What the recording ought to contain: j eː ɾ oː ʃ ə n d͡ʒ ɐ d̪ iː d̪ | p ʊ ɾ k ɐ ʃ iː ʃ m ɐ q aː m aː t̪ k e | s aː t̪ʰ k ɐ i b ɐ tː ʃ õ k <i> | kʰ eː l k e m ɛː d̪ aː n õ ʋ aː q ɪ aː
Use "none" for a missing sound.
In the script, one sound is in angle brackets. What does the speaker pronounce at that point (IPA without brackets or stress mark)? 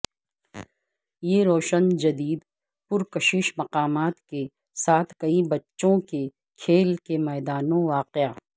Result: e